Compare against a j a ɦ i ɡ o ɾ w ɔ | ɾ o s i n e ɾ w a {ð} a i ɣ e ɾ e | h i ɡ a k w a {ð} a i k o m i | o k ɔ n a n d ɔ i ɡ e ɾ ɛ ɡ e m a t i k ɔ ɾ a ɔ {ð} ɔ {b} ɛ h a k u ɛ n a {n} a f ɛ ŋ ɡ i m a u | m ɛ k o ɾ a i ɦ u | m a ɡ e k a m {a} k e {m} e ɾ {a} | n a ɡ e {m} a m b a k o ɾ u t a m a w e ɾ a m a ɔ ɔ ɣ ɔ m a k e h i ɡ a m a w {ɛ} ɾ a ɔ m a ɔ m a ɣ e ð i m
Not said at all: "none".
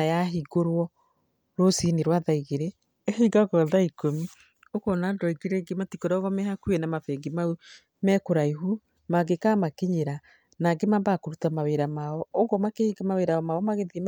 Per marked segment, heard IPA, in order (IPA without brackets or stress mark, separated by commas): ð, ð, ɣ, m, m, a, ɲ, a, m, e